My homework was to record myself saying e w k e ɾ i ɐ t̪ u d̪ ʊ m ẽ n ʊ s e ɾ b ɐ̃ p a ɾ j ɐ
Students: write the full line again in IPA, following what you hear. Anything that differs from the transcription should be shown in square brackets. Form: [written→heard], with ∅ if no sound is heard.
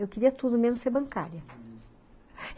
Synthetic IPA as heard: e w k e ɾ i ɐ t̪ u d̪ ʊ m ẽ n ʊ s e ɾ b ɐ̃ [p→k] a ɾ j ɐ